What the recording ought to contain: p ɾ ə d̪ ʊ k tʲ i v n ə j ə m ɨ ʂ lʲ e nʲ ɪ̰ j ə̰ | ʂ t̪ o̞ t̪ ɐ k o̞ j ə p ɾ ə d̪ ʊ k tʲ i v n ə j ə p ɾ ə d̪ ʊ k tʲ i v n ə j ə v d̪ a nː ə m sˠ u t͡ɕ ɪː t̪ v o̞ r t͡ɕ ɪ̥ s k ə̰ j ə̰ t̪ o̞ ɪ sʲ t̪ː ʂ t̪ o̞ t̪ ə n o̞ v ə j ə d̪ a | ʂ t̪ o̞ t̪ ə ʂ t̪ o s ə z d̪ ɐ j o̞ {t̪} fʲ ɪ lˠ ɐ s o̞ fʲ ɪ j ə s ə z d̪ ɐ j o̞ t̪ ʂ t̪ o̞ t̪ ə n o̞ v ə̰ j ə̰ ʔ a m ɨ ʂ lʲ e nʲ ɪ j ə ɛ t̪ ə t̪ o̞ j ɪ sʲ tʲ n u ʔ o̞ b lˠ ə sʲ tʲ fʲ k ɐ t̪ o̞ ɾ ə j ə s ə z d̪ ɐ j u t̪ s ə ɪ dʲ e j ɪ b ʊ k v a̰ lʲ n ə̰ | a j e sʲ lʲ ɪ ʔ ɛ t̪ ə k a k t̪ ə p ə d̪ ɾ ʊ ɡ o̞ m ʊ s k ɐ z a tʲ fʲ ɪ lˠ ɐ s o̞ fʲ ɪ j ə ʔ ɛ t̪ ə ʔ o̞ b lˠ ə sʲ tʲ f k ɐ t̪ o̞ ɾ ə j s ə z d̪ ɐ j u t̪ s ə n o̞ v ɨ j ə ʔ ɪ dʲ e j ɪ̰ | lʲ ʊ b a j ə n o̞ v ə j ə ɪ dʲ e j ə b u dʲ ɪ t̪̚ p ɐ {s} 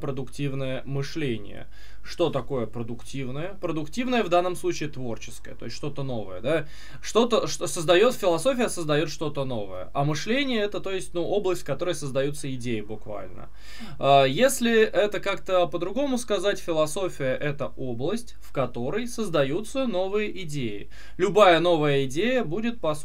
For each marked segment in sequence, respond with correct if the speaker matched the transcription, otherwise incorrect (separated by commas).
correct, correct